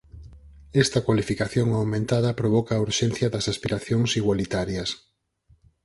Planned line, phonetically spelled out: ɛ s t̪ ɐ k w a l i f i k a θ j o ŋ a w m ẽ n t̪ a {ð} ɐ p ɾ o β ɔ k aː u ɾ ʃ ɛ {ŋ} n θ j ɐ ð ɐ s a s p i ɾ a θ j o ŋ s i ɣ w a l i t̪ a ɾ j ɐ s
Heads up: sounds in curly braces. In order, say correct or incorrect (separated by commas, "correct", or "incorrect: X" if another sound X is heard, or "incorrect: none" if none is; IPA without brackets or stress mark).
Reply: correct, incorrect: none